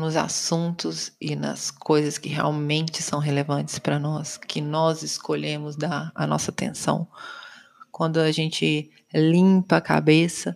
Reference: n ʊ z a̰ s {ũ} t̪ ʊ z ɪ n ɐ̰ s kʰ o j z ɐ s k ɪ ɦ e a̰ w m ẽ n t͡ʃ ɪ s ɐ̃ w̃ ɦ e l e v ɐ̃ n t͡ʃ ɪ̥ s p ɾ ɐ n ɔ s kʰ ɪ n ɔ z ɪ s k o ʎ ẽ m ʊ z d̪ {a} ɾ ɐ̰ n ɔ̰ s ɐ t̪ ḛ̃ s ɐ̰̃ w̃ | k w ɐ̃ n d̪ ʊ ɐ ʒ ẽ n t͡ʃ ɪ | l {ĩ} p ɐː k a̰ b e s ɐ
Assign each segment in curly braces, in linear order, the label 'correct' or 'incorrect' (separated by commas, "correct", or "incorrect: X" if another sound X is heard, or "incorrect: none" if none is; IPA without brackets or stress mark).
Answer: correct, correct, correct